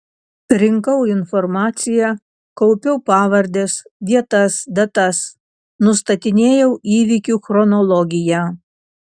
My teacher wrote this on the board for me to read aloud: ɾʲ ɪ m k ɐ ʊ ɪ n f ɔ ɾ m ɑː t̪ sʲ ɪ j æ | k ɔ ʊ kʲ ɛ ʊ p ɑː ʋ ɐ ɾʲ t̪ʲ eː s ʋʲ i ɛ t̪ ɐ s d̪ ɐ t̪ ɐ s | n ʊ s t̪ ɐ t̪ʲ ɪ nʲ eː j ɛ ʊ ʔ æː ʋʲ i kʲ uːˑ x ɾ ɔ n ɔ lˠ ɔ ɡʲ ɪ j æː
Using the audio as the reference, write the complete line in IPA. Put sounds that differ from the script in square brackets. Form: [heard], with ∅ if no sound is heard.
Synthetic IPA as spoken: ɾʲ ɪ [ŋ] k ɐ ʊ ɪ n f ɔ ɾ m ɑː t̪ sʲ ɪ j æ | k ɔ ʊ [pʲ] ɛ ʊ p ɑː ʋ ɐ ɾʲ [d̪ʲ] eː s ʋʲ i ɛ t̪ ɐ s d̪ ɐ t̪ ɐ s | n ʊ s t̪ ɐ t̪ʲ ɪ nʲ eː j ɛ ʊ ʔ [iː] ʋʲ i kʲ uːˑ x ɾ ɔ n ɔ lˠ ɔ ɡʲ ɪ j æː